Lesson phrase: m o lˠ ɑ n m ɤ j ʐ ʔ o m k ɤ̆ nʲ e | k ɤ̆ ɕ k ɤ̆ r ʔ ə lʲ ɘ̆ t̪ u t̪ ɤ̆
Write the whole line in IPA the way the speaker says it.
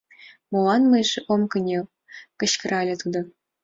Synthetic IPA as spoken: m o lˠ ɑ n m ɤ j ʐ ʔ o m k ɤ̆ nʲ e | k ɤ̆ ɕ k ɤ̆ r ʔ ɑ lʲ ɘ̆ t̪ u d̪ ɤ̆